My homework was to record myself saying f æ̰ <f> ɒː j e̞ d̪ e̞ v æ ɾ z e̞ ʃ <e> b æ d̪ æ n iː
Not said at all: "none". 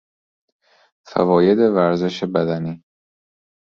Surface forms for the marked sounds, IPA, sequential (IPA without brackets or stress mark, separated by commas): v, e